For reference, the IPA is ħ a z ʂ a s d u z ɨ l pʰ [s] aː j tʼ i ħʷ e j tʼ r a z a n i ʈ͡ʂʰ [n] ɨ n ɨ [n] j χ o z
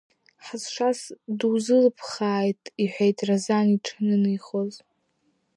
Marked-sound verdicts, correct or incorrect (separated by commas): incorrect, correct, incorrect